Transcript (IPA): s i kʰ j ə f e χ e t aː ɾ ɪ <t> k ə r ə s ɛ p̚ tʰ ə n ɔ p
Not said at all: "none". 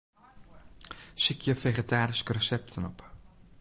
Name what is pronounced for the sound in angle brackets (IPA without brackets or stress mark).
s